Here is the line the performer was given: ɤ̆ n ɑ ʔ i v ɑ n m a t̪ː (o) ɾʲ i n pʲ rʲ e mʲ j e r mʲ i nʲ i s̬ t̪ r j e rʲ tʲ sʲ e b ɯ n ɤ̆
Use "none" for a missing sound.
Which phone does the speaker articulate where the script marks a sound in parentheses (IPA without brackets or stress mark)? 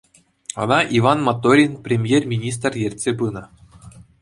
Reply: o